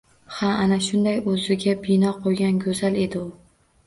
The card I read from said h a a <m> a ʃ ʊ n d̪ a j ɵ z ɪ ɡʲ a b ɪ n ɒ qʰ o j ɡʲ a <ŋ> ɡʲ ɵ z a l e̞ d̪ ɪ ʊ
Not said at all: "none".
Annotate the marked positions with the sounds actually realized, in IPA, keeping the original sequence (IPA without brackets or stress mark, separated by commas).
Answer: n, n